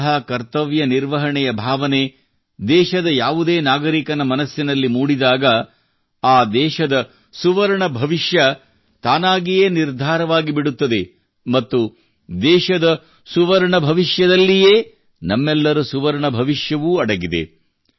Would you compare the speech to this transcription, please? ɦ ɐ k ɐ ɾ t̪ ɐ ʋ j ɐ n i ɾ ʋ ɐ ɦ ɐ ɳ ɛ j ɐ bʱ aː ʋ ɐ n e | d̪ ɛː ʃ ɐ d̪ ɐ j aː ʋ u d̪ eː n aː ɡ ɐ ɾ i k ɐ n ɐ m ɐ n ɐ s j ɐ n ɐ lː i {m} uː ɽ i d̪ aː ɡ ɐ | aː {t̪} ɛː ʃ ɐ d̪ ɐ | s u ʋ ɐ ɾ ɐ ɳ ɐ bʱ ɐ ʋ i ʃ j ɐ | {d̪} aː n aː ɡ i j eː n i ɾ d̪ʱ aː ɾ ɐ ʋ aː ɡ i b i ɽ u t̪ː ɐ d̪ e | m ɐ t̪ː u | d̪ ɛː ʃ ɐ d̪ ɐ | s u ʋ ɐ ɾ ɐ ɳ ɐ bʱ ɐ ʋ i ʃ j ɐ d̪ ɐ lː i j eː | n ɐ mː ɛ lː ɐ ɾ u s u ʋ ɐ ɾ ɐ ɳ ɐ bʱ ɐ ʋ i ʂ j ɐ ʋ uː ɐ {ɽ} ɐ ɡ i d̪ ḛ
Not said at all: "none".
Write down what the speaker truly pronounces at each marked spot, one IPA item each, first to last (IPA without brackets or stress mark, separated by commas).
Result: m, d̪, t̪, ɽ